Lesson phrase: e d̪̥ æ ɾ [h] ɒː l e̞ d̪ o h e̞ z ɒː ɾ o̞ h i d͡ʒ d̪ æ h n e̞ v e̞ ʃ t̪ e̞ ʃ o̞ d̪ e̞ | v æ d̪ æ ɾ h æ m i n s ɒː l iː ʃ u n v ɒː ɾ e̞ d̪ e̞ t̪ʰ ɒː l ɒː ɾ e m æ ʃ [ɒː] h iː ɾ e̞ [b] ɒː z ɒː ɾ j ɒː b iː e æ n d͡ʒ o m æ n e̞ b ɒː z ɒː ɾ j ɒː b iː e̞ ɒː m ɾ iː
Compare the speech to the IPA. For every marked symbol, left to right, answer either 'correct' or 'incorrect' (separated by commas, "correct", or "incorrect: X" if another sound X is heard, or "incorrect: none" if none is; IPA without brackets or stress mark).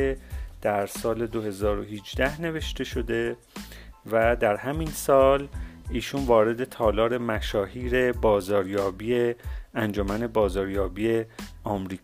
incorrect: s, correct, correct